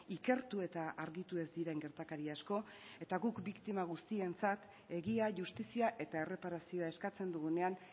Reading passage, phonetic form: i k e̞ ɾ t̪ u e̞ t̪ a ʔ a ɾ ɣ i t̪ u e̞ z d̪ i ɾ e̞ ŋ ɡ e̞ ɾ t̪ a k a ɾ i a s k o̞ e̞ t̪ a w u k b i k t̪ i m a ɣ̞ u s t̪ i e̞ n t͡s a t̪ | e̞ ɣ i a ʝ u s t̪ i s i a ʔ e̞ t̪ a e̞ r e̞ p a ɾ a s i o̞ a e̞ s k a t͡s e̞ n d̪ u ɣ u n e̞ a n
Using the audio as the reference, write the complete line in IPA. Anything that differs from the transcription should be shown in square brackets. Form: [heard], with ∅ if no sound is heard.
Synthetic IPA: i k e̞ ɾ t̪ u e̞ t̪ a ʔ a ɾ ɣ i t̪ u e̞ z d̪ i ɾ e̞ ŋ ɡ e̞ ɾ t̪ a k a ɾ i a s k o̞ e̞ t̪ a [ɣ] u k b i k t̪ i m a ɣ̞ u s t̪ i e̞ n t͡s a t̪ | e̞ ɣ i a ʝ u s t̪ i s i a ʔ e̞ t̪ a e̞ r e̞ p a ɾ a s i o̞ a e̞ s k a t͡s e̞ n d̪ u ɣ u n e̞ a n